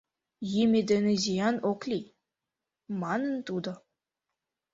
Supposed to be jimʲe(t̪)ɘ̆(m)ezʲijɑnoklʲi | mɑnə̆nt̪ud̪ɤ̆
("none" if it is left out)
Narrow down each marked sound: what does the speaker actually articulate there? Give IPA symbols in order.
d̪, n

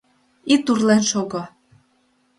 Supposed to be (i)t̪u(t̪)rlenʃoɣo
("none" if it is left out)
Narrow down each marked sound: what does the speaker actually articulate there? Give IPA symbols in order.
i, none

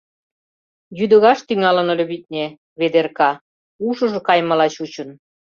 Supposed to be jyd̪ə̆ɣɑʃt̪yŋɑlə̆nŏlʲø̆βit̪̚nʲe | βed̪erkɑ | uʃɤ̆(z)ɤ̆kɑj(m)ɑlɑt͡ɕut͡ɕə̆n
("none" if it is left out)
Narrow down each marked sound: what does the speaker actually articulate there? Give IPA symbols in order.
ʒ, m

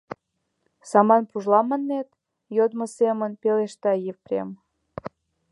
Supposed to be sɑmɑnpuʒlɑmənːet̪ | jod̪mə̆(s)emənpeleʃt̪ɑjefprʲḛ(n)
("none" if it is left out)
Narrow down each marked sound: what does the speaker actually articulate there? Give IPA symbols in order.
s, m

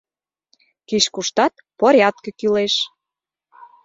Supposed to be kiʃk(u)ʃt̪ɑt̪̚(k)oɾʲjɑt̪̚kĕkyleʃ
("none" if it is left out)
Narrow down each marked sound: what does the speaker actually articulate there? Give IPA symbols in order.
u, p

